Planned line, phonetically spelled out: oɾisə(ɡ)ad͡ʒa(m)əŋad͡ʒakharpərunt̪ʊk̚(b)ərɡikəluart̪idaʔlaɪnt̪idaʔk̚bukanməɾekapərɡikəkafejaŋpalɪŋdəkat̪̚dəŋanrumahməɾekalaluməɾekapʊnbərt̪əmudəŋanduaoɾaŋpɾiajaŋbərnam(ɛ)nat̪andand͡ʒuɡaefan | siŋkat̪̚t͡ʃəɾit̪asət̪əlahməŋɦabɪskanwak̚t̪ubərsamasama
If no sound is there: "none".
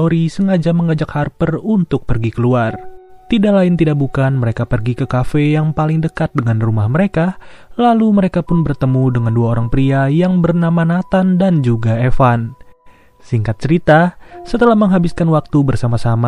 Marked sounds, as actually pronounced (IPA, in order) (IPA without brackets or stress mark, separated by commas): ŋ, m, p, a